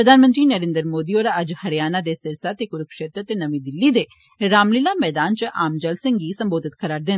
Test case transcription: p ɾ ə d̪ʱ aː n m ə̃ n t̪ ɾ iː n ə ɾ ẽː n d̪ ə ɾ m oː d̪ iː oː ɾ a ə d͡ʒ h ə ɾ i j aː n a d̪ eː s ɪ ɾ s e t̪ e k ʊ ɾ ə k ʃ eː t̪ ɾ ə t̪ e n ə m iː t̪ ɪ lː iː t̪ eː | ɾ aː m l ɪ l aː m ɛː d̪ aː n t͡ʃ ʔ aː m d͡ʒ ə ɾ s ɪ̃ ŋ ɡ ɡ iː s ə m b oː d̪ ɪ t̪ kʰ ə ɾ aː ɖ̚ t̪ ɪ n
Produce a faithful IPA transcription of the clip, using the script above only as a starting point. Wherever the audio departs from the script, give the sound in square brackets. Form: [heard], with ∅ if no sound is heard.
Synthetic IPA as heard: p ɾ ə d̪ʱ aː n m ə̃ n t̪ ɾ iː n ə ɾ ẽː n d̪ ə ɾ m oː d̪ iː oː ɾ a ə d͡ʒ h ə ɾ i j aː n a d̪ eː s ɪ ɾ s [a] t̪ e k ʊ ɾ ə k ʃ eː t̪ ɾ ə t̪ e n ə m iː [d̪] ɪ lː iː [d̪] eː | ɾ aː m l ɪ l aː m ɛː d̪ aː n t͡ʃ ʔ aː m d͡ʒ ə [l] s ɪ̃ ŋ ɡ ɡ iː s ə m b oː d̪ ɪ t̪ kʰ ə ɾ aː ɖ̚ [d̪] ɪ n

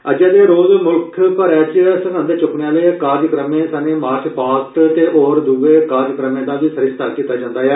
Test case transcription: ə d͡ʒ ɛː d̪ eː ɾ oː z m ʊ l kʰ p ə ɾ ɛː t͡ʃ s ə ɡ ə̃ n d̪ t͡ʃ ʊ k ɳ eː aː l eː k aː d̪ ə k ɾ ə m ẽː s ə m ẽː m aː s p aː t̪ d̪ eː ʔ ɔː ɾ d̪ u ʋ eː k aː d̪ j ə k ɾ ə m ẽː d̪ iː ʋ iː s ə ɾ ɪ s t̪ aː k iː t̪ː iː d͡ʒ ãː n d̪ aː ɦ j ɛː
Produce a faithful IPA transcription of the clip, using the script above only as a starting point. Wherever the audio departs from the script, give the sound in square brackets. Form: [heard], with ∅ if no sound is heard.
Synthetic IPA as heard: ə d͡ʒ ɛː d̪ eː ɾ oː z m ʊ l kʰ p ə ɾ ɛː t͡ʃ s ə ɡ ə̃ n d̪ t͡ʃ ʊ k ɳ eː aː l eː k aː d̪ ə k ɾ ə m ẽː s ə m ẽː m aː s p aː t̪ [t̪] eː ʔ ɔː ɾ d̪ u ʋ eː k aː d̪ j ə k ɾ ə m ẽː d̪ [aː] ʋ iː s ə ɾ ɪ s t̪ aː k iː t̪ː [aː] d͡ʒ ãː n d̪ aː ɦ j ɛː

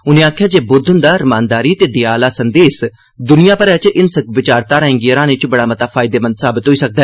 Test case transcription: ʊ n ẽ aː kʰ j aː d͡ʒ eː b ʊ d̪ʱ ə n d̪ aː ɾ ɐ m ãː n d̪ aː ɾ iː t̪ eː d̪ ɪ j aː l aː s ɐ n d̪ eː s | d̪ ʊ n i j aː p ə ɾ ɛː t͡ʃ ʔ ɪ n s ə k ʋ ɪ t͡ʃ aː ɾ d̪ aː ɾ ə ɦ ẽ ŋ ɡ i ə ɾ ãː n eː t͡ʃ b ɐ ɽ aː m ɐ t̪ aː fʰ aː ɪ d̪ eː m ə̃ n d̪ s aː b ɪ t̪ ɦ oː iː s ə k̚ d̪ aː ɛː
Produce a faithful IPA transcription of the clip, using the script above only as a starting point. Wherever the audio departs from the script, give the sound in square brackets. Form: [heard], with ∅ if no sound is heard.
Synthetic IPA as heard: ʊ n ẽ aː kʰ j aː d͡ʒ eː b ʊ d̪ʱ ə n d̪ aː ɾ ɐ m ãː n d̪ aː ɾ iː t̪ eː d̪ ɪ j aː l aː s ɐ n d̪ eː s | d̪ ʊ n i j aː p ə ɾ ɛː t͡ʃ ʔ ɪ n s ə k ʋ ɪ t͡ʃ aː ɾ [t̪] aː ɾ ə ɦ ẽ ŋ ɡ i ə ɾ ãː n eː t͡ʃ b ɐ ɽ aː m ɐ t̪ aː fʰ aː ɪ d̪ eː m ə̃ n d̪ s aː b ɪ t̪ ɦ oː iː s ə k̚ d̪ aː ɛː

